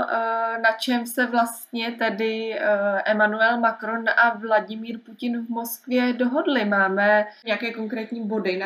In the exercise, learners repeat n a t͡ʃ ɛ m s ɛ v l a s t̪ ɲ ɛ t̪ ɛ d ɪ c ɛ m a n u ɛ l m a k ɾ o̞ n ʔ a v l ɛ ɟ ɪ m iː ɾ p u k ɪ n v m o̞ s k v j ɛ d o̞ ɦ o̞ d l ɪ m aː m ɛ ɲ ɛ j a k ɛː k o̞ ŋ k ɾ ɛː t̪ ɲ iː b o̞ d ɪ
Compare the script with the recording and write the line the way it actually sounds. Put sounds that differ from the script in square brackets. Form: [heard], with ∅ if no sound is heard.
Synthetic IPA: n a t͡ʃ ɛ m s ɛ v l a s t̪ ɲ ɛ t̪ ɛ d ɪ [ʔ] ɛ m a n u ɛ l m a k ɾ o̞ n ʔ a v l [a] ɟ ɪ m iː ɾ p u [c] ɪ n v m o̞ s k v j ɛ d o̞ ɦ o̞ d l ɪ m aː m ɛ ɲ ɛ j a k ɛː k o̞ ŋ k ɾ ɛː t̪ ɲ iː b o̞ d ɪ